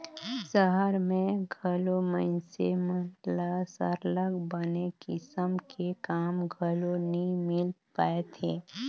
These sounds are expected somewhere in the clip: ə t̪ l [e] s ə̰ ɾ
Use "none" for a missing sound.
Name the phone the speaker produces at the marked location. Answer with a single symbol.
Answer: a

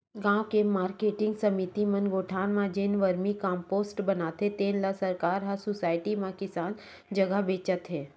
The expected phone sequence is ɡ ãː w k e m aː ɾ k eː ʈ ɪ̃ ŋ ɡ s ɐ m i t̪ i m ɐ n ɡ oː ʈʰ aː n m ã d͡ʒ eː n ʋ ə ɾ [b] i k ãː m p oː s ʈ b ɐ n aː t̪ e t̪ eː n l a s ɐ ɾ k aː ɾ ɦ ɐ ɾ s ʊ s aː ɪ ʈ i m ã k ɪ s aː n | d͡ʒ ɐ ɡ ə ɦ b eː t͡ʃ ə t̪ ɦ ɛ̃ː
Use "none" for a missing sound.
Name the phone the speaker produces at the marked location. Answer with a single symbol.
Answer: m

